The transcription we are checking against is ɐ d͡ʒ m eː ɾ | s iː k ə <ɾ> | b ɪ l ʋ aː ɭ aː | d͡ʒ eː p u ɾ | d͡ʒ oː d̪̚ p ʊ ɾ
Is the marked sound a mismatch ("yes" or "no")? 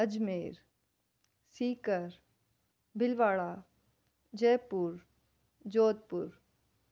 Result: no